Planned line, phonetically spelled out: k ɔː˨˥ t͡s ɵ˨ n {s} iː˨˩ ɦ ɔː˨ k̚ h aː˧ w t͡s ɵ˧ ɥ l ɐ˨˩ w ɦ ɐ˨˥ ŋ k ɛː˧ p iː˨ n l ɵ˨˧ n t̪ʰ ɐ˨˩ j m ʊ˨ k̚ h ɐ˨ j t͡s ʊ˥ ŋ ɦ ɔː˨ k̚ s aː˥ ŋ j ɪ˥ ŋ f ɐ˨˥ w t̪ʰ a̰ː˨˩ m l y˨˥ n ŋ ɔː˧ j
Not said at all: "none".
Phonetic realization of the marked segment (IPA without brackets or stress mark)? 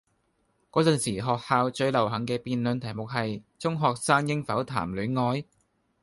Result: s